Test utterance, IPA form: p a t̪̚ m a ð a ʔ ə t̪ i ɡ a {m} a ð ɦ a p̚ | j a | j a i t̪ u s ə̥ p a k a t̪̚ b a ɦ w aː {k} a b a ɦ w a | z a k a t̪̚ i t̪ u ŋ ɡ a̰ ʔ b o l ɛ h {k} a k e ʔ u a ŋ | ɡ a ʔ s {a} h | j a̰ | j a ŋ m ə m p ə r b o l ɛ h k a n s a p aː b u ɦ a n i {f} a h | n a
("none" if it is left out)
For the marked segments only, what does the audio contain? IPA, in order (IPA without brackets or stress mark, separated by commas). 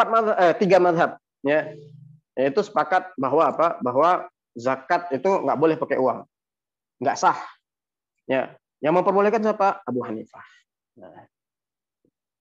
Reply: m, p, p, a, f